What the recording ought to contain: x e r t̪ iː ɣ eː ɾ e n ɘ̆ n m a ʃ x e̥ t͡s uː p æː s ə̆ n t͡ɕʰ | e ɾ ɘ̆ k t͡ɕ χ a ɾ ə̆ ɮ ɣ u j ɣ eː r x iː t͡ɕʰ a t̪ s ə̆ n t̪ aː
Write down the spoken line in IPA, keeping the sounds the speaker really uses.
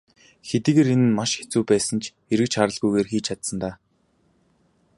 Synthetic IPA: x e t̪ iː ɣ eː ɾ e n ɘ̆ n m a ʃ x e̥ t͡s uː p æː s ə̆ n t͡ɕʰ | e ɾ ɘ̆ k t͡ɕ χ a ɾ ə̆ ɮ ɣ u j ɣ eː r x iː t͡ɕʰ a t̪ s ə̆ n t̪ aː